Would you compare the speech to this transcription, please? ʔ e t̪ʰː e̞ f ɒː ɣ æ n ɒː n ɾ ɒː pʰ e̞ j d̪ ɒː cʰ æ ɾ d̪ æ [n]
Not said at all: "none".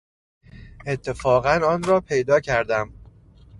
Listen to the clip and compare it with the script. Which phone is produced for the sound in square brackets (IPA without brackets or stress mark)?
m